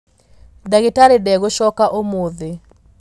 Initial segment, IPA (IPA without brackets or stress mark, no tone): d